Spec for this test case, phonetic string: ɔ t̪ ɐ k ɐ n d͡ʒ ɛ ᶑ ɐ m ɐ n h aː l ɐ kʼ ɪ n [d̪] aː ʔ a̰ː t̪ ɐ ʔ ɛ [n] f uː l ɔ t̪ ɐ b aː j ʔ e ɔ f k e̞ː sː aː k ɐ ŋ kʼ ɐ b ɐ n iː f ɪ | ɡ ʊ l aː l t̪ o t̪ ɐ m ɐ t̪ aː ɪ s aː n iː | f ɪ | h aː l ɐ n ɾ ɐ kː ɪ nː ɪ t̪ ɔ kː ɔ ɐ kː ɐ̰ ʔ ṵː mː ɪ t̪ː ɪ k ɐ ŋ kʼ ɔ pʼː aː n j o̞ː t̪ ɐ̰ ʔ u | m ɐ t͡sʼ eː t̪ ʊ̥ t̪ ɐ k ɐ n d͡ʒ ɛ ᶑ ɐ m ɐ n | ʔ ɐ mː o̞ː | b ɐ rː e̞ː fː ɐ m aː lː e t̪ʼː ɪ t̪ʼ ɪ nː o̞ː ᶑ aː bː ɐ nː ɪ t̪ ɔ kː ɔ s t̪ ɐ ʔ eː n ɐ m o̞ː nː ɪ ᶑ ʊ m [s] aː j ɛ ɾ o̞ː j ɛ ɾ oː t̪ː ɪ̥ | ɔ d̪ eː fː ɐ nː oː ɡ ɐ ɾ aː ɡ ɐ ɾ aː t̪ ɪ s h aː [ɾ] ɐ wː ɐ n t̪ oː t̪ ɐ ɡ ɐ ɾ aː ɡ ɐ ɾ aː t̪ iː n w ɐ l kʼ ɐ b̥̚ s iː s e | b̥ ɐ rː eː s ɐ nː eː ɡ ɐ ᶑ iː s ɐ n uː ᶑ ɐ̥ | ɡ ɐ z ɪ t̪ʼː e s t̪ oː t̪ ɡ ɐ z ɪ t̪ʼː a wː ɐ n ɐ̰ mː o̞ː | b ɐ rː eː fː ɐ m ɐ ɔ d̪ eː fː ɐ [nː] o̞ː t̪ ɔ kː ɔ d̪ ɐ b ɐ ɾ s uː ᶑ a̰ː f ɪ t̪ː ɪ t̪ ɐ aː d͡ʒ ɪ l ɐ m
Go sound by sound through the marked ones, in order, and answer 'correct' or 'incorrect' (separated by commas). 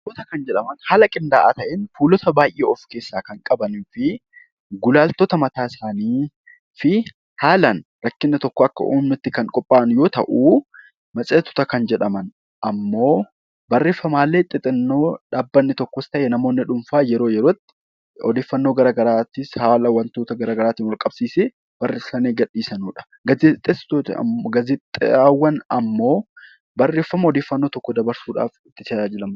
correct, correct, incorrect, incorrect, correct